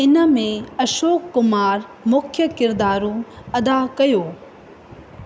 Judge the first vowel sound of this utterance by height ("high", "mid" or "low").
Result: high